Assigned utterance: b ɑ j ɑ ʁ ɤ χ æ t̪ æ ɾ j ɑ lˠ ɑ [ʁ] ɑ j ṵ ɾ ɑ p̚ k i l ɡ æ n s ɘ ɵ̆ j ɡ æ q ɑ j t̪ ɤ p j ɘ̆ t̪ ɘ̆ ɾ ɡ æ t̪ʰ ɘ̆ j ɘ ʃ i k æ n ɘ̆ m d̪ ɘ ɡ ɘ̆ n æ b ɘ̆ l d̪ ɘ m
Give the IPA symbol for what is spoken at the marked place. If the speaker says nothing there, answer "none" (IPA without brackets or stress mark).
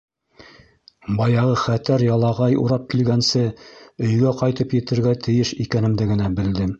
ʁ